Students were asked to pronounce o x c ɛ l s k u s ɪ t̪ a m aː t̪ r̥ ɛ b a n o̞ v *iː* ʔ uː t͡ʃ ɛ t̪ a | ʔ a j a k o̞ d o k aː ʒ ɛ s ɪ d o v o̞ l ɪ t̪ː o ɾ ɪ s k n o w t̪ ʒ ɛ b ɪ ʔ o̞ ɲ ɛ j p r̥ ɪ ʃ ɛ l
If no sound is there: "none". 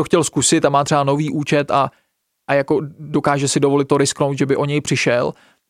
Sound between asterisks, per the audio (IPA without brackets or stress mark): iː